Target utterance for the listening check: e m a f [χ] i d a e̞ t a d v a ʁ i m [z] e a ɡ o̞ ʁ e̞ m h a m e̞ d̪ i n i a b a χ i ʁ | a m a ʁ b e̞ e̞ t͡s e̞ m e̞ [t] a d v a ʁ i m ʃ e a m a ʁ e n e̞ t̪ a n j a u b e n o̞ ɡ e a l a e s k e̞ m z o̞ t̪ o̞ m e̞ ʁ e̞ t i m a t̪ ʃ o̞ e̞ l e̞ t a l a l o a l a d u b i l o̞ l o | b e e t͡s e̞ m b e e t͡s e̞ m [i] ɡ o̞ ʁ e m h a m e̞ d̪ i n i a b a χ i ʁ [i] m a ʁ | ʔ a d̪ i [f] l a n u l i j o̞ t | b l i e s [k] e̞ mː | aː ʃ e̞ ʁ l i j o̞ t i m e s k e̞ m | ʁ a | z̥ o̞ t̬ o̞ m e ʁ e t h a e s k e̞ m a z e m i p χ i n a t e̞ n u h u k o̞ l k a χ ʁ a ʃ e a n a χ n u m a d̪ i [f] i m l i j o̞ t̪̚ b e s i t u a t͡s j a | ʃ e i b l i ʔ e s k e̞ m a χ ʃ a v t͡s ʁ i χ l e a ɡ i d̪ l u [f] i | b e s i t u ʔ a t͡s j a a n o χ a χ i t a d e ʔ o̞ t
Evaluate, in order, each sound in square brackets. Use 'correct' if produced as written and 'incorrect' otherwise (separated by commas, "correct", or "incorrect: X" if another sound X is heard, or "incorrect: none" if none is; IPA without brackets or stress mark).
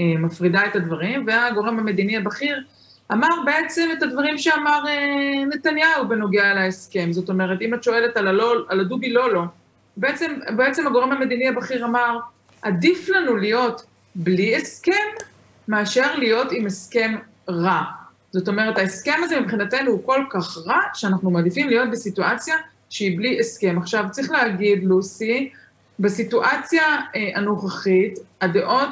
incorrect: ʁ, incorrect: v, correct, incorrect: a, incorrect: a, correct, correct, correct, incorrect: s